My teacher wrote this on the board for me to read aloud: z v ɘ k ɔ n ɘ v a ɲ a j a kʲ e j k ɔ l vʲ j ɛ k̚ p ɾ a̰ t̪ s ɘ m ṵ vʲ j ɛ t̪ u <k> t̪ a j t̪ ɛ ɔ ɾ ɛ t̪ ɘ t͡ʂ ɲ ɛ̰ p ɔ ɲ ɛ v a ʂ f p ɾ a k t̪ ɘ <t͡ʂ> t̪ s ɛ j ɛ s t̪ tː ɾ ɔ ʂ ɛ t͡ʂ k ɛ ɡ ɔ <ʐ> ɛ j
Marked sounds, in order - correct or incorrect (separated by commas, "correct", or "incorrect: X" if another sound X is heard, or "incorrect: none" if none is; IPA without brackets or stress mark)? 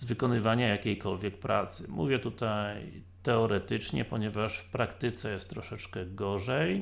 incorrect: none, incorrect: none, correct